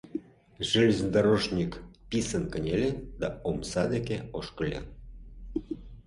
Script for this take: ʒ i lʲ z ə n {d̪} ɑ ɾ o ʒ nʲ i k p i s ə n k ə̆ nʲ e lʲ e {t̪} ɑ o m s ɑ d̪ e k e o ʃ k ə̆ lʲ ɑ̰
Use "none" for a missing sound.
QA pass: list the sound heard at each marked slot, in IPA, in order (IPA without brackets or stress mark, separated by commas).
d̪, d̪